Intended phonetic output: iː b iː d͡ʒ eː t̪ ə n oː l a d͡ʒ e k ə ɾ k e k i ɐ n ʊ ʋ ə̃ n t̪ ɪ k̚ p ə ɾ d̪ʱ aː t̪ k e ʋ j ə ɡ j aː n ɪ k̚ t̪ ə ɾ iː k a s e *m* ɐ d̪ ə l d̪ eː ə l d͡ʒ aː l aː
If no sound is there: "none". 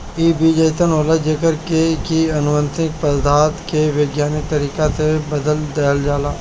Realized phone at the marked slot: b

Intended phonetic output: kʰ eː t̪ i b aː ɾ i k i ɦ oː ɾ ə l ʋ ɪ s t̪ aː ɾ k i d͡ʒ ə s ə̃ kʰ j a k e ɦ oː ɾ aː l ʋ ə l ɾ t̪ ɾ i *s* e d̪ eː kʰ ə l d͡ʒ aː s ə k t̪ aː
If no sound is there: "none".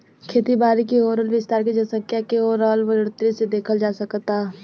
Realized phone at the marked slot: s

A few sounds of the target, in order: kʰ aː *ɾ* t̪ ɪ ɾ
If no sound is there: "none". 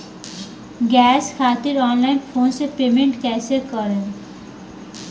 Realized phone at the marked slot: none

